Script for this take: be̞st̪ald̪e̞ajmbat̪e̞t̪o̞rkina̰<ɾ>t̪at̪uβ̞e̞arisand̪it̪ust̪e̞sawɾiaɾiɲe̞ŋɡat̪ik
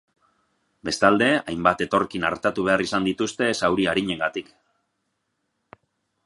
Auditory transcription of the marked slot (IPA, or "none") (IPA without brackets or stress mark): ɾ